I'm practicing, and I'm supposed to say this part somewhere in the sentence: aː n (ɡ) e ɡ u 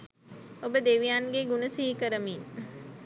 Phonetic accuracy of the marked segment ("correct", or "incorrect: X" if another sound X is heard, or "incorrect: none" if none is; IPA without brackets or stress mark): correct